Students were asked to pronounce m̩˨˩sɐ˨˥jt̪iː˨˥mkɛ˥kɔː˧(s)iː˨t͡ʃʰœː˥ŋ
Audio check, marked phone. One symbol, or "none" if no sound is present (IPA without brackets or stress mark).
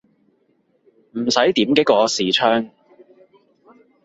s